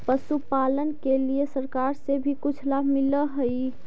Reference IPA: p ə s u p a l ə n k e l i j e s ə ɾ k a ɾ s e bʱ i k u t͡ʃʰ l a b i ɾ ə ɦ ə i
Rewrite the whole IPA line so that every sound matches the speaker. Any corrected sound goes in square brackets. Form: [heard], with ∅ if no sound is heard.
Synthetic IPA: p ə s u p a l ə n k e l i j e s ə ɾ k a ɾ s e bʱ i k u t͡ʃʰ l a [m] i [l] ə ɦ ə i